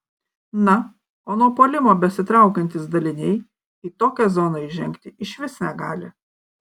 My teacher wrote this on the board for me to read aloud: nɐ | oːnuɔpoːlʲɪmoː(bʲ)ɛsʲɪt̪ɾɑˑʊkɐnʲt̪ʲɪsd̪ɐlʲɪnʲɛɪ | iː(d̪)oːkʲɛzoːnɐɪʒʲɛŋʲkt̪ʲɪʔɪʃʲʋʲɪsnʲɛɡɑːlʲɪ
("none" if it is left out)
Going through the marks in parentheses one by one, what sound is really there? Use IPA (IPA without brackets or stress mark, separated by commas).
bʲ, t̪